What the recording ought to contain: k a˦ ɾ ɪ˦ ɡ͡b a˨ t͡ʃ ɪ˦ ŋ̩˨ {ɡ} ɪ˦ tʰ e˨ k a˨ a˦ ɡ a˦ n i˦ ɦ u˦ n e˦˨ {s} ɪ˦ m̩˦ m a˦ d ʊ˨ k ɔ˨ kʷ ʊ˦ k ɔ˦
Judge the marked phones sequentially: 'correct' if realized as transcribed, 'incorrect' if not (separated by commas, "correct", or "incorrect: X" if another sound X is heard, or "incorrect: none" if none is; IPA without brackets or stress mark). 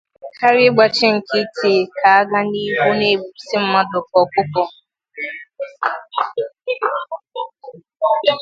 incorrect: k, correct